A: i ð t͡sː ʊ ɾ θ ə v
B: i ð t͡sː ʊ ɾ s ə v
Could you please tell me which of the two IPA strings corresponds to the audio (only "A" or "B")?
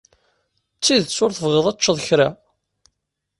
A